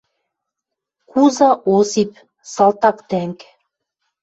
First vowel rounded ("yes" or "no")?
yes